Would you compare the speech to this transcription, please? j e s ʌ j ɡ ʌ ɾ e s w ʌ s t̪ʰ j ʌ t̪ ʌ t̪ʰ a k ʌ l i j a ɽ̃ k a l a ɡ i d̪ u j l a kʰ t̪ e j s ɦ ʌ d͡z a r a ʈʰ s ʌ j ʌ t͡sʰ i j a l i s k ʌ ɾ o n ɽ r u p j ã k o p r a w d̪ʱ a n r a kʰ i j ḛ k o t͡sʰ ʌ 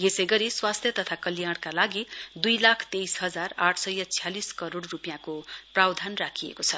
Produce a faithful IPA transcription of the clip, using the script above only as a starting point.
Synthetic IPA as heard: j e s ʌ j ɡ ʌ ɾ i s w a s t̪ʰ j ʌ t̪ ʌ t̪ʰ a k ʌ l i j a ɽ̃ k a l a ɡ i d̪ u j l a kʰ t̪ e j s ɦ ʌ d͡z a r a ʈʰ s ʌ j ʌ t͡sʰ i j a l i s k ʌ ɾ o ɽ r u p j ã k o p r a w d̪ʱ a n r a kʰ i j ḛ k o t͡sʰ ʌ

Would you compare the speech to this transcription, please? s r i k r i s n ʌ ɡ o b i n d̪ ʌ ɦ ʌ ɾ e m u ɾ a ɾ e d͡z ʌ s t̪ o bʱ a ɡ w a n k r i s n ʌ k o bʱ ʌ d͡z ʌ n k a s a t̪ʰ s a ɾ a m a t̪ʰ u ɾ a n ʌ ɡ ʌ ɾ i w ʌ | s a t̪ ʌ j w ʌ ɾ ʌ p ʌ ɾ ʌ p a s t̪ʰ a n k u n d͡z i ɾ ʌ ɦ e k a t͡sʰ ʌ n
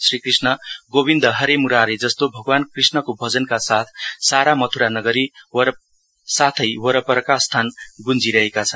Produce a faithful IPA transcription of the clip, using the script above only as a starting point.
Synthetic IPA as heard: s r i k r i s n ʌ ɡ o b i n d̪ ʌ ɦ ʌ ɾ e m u ɾ a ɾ e d͡z ʌ s t̪ o bʱ ʌ ɡ w a n k r i s n ʌ k o bʱ ʌ d͡z ʌ n k a s a t̪ʰ s a ɾ a m ʌ t̪ʰ u ɾ a n ʌ ɡ ʌ ɾ i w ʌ | s a t̪ʰ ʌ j w ʌ ɾ ʌ p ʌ ɾ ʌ k a s t̪ʰ a n ɡ u n d͡z i ɾ ʌ ɦ e k a t͡sʰ ʌ n

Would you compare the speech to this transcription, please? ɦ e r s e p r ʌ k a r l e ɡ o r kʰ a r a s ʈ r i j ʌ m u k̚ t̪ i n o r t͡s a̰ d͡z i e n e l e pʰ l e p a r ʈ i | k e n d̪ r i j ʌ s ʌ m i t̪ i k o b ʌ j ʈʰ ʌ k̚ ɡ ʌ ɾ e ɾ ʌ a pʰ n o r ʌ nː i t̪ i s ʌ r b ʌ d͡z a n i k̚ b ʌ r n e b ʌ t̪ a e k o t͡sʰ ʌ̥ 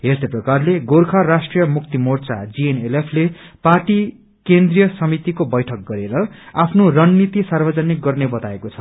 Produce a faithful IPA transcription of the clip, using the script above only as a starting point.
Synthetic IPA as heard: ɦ e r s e p r ʌ k a r l e ɡ o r kʰ a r a s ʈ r i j ʌ m u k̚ t̪ i m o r t͡s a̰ d͡z i e n e l e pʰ l e p a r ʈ i | k e n d̪ r i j ʌ s ʌ m i t̪ i k o b ʌ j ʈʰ ʌ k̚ ɡ ʌ ɾ e ɾ ʌ a pʰ n o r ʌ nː i t̪ i s a r b ʌ d͡z ʌ n i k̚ ɡ ʌ r n e b ʌ t̪ a e k o t͡sʰ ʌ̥

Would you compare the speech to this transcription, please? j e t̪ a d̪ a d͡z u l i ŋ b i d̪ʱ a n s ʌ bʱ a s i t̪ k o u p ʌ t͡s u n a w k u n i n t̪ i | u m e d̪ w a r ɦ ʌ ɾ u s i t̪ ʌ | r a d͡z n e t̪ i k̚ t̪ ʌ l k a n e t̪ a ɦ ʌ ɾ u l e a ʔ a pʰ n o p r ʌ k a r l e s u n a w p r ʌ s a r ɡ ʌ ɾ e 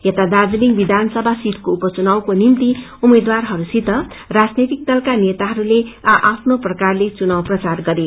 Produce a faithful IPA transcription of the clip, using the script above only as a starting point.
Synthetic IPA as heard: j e t̪ a d̪ a d͡z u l i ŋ b i d̪ʱ a n s ʌ bʱ a s i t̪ k o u p ʌ t͡s u n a w k o n i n t̪ i | u m e d̪ w a r ɦ ʌ ɾ u s i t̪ ʌ | r a d͡z n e t̪ i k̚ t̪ ʌ l k a n e t̪ a ɦ ʌ ɾ u l e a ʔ a pʰ n o p r ʌ k a r l e t͡s u n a w p r ʌ t͡s a r ɡ ʌ ɾ e

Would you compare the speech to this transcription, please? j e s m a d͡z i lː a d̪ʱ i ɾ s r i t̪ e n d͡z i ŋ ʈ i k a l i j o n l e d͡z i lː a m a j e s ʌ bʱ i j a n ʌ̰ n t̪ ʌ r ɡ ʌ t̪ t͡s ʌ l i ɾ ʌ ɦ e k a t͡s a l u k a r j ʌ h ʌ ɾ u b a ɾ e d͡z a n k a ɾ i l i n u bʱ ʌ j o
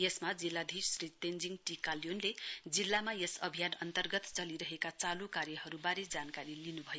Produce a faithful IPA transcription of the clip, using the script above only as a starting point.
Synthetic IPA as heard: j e s m a d͡z i lː a d̪ʱ i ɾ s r i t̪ e n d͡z i ŋ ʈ i k a l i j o n l e d͡z i lː a m a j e s ʌ bʱ i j a n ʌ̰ n t̪ ʌ r ɡ ʌ t̪ t͡s ʌ l i ɾ ʌ ɦ e k a t͡s a l u k a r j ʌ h ʌ ɾ u b a ɾ e d͡z a n k a ɾ i l i n u bʱ ʌ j o

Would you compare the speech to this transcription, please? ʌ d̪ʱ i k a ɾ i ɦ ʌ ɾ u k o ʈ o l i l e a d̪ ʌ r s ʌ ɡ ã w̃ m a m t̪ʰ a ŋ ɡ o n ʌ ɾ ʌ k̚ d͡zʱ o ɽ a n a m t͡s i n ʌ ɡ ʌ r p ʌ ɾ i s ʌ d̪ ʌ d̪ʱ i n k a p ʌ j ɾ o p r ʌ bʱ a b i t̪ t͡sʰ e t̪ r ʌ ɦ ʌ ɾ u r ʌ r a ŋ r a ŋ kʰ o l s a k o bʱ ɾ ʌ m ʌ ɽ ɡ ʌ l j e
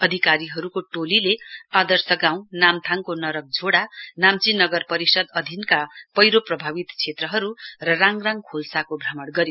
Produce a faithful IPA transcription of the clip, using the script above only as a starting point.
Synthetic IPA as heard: ʌ d̪ʱ i k a ɾ i ɦ ʌ ɾ u k o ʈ o l i l e a d̪ ʌ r s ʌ ɡ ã w̃ n a m t̪ʰ a ŋ k o n ʌ ɾ ʌ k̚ d͡zʱ o ɽ a n a m t͡s i n ʌ ɡ ʌ r p ʌ ɾ i s ʌ d̪ ʌ d̪ʱ i n k a p ʌ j ɾ o p r ʌ bʱ a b i t̪ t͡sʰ e t̪ r ʌ ɦ ʌ ɾ u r ʌ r a ŋ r a ŋ kʰ o l s a k o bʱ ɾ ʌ m ʌ ɽ ɡ ʌ ɾ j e

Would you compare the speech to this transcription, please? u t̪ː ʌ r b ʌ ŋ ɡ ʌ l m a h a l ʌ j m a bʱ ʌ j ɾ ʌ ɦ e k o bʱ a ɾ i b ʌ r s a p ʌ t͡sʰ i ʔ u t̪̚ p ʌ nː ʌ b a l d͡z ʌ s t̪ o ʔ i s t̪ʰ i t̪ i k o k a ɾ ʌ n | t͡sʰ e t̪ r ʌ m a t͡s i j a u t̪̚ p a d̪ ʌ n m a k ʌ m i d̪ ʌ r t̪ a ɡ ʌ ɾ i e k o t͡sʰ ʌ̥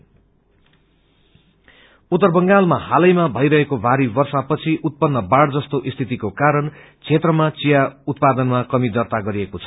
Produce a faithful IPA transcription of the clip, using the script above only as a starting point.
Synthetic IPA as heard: u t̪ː ʌ r b ʌ ŋ ɡ a l m a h a l ʌ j m a bʱ ʌ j ɾ ʌ ɦ e k o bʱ a ɾ i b ʌ r s a p ʌ t͡sʰ i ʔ u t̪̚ p ʌ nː ʌ b a ɽ d͡z ʌ s t̪ o ʔ i s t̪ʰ i t̪ i k o k a ɾ ʌ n | t͡sʰ e t̪ r ʌ m a t͡s i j a u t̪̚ p a d̪ ʌ n m a k ʌ m i d̪ ʌ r t̪ a ɡ ʌ ɾ i e k o t͡sʰ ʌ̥

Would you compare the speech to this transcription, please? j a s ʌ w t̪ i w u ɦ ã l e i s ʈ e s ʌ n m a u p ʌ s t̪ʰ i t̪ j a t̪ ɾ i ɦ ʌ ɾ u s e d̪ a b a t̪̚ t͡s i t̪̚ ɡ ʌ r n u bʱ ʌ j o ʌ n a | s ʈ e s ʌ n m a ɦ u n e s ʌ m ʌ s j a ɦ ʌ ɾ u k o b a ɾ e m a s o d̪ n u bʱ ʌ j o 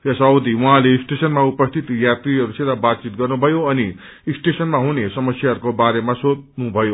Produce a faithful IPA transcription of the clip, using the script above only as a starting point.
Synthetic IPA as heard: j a s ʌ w d̪ i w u ɦ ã l e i s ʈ e s ʌ n m a u p ʌ s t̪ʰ i t̪ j a t̪ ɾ i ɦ ʌ ɾ u s e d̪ a b a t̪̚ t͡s i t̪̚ ɡ ʌ r n u bʱ ʌ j o ʌ n i | s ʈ e s ʌ n m a ɦ u n e s ʌ m ʌ s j a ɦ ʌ ɾ u k o b a ɾ e m a s o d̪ n u bʱ ʌ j o

